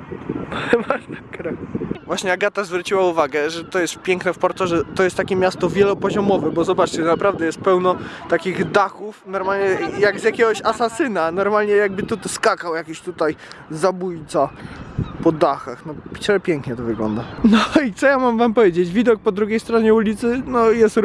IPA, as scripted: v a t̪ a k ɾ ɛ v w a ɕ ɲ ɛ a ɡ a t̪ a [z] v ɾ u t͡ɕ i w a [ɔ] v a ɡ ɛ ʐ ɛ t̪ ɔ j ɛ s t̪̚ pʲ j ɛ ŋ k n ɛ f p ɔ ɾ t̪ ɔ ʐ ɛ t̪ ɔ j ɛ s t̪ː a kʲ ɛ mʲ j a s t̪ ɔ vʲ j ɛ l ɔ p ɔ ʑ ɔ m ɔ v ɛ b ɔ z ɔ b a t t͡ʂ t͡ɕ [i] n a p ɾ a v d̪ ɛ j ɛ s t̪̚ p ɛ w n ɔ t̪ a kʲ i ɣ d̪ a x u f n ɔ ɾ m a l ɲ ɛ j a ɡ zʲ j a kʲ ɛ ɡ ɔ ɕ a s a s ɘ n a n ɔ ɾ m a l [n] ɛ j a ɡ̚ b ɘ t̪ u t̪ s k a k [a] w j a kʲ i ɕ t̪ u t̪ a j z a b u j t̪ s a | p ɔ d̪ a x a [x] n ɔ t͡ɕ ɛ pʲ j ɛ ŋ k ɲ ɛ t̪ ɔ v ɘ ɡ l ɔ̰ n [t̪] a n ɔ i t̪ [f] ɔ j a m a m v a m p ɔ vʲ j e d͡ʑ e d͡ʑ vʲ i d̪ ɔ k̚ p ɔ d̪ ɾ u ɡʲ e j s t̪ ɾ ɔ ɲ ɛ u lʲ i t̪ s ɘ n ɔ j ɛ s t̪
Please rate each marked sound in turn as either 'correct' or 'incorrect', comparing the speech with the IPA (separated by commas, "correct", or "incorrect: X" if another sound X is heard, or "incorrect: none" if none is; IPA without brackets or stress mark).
correct, incorrect: u, incorrect: ɛ, incorrect: ɲ, correct, correct, incorrect: d̪, incorrect: s